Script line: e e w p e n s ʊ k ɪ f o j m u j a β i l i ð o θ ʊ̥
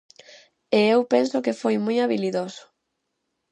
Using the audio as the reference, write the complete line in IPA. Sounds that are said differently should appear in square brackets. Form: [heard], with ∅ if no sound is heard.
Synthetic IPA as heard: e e w p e n s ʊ k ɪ f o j m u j a β i l i ð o [s] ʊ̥

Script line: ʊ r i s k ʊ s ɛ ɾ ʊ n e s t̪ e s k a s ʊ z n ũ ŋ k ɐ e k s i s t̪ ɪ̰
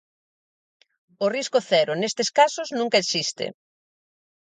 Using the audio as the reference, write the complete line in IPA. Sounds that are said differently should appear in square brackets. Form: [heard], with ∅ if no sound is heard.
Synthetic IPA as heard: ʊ r i s k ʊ [θ] ɛ ɾ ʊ n e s t̪ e s k a s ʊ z n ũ ŋ k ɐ e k s i s t̪ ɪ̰

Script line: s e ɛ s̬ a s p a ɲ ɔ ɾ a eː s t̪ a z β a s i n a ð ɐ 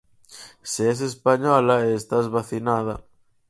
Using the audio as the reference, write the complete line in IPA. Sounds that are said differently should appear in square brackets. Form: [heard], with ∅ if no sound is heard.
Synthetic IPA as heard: s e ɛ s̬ [e] s p a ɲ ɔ [l] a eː s t̪ a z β a [θ] i n a ð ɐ

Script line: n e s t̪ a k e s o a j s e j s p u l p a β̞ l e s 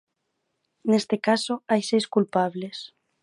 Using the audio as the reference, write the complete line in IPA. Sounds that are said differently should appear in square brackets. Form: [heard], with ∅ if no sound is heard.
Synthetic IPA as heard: n e s t̪ [e] k [a] s o a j s e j s [k] u l p a β̞ l e s

